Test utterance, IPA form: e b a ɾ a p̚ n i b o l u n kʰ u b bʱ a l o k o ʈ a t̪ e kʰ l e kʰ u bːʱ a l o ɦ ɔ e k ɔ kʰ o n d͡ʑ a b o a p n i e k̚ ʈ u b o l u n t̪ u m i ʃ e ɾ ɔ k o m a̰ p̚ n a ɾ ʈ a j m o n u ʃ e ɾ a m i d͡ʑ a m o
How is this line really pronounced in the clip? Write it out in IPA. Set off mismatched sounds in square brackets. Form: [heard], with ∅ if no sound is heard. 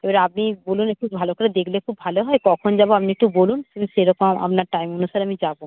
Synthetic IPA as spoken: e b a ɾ a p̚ n i b o l u n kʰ u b bʱ a l o k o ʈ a [d̪] e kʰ l e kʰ u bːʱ a l o ɦ ɔ e k ɔ kʰ o n d͡ʑ a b o a p n i e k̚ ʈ u b o l u n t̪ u m i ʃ e ɾ ɔ k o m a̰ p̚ n a ɾ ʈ a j m o n u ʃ [a] ɾ a m i d͡ʑ a [b] o